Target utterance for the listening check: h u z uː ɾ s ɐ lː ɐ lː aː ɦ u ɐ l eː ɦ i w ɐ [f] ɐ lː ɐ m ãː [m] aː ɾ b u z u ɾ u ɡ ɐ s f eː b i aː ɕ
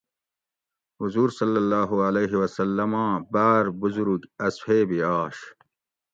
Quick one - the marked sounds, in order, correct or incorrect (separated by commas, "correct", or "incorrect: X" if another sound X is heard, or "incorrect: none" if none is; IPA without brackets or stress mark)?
incorrect: s, incorrect: b